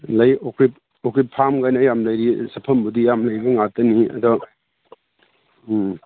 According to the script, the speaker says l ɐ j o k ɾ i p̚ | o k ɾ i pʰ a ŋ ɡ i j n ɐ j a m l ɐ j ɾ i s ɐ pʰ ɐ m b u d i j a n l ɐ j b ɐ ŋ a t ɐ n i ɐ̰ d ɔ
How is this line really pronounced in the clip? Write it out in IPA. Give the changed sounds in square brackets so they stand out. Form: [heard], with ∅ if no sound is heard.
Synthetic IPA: l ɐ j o k ɾ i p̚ | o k ɾ i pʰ a [m] ɡ [a] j n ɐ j a m l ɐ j ɾ i s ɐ pʰ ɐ m b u d i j a [m] l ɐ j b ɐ ŋ a t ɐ n i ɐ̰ d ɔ